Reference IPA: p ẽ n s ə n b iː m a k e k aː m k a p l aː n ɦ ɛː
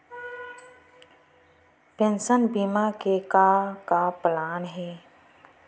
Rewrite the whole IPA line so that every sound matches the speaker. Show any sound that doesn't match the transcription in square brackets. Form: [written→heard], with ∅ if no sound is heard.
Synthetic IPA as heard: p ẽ n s ə n b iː m a k e k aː [m→∅] k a p l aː n ɦ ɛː